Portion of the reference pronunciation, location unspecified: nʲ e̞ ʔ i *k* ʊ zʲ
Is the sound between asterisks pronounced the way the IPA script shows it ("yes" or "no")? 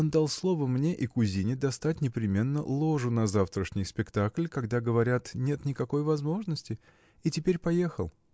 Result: yes